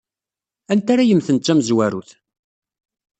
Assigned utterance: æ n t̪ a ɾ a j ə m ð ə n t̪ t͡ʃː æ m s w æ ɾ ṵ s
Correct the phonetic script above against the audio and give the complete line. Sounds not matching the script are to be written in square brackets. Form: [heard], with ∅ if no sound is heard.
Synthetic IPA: æ n t̪ a ɾ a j ə m [θ] ə n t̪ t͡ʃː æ m [z] w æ ɾ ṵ [θ]